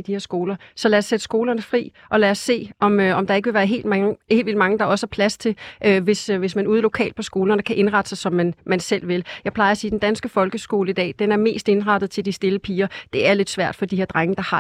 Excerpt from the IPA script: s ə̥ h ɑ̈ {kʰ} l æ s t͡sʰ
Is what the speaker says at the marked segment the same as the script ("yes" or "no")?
no